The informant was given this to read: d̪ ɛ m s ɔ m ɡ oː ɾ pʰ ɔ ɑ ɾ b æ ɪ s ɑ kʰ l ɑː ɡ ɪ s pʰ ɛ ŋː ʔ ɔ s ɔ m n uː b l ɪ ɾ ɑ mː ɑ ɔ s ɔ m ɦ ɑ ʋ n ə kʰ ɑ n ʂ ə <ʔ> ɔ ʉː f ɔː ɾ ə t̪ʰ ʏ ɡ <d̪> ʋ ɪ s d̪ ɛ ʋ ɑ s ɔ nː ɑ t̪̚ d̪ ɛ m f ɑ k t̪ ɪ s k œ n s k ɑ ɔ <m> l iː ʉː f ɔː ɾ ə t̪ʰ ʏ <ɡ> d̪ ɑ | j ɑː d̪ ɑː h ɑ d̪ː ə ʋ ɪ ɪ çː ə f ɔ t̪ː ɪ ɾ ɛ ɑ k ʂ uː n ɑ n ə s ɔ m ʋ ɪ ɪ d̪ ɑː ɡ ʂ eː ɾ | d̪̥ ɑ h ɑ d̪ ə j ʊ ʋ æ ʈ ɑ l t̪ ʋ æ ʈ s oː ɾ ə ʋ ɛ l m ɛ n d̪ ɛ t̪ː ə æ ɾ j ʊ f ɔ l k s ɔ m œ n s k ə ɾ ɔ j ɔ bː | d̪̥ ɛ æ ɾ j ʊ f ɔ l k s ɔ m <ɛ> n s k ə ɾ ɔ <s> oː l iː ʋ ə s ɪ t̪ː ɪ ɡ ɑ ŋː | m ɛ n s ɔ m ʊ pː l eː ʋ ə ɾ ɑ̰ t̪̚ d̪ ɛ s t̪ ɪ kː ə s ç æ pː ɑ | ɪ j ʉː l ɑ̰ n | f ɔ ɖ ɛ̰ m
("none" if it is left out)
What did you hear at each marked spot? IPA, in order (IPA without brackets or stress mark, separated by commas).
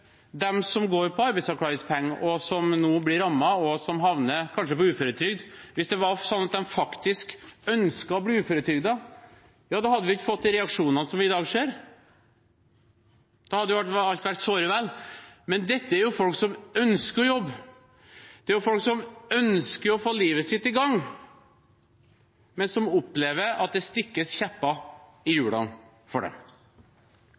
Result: p, d̪, b, ɡ, œ, f